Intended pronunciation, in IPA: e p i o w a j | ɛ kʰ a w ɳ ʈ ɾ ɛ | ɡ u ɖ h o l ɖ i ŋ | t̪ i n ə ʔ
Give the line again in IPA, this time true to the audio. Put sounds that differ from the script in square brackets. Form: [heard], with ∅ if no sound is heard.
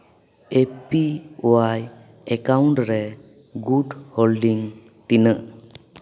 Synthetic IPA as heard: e p i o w a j | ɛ [k] a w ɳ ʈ ɾ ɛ | ɡ u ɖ h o l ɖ i ŋ | t̪ i n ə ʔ